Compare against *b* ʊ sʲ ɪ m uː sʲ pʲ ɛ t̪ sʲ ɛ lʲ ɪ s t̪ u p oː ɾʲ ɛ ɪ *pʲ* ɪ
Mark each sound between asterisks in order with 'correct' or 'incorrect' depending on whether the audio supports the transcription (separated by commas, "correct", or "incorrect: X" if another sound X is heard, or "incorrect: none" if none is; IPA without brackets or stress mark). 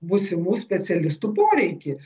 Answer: correct, incorrect: kʲ